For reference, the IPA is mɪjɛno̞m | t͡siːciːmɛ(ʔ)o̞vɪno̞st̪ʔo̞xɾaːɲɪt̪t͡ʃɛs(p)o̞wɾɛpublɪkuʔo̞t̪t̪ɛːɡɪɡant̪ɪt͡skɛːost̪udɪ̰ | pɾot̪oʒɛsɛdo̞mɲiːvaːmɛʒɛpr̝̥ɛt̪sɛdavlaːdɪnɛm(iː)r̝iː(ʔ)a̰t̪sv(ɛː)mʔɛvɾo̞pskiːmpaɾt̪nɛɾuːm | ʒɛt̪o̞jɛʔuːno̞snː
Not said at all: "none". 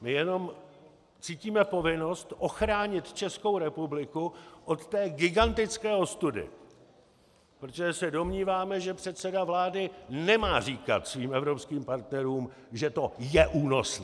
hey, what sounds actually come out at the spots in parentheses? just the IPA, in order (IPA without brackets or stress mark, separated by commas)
p, k, aː, k, iː